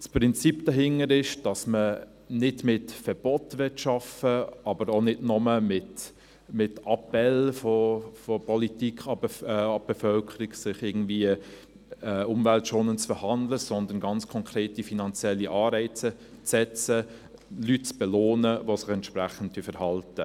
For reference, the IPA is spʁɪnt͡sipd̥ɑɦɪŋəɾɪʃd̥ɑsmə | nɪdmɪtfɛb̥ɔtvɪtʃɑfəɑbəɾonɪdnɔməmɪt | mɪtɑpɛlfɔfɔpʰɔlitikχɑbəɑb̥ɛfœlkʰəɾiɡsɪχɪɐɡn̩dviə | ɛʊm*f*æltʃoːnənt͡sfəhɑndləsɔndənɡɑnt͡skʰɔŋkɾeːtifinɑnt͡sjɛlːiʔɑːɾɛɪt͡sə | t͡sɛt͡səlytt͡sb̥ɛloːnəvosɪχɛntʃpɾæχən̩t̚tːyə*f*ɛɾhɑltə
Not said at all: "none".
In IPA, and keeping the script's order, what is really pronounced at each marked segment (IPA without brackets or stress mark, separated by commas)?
v, f